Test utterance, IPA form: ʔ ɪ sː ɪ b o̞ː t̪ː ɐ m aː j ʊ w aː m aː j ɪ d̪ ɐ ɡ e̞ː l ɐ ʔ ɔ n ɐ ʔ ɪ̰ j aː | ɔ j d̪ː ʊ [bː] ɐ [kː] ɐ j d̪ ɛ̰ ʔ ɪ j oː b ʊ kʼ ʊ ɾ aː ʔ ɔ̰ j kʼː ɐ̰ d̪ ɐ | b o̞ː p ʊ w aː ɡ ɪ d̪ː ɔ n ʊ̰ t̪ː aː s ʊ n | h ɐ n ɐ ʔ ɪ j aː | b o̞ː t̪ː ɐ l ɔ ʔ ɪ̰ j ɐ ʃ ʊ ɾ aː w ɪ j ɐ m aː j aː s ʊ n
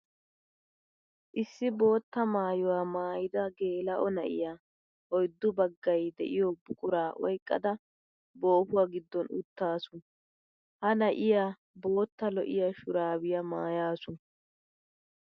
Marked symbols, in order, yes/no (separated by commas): no, no